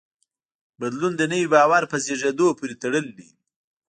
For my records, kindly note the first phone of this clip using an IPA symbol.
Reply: b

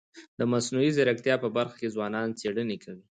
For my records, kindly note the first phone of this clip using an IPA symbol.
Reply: d̪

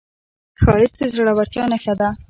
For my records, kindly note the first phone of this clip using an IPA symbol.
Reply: x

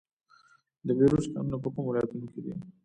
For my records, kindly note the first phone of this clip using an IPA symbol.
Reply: d̪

